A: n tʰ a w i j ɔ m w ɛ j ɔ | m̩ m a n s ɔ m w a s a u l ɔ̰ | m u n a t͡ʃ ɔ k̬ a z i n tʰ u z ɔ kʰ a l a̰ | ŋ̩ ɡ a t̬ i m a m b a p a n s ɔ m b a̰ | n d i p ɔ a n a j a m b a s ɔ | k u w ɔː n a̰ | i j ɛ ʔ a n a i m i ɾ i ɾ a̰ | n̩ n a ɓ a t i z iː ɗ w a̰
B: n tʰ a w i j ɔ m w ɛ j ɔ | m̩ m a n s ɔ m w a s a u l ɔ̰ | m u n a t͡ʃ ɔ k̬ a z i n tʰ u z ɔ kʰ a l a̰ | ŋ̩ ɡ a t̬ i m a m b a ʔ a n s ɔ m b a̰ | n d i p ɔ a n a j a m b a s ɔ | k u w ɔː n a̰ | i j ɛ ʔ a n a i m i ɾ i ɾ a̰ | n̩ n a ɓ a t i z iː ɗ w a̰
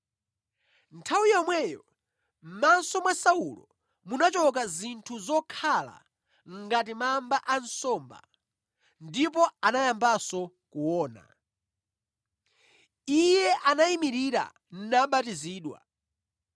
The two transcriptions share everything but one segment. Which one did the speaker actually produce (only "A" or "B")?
B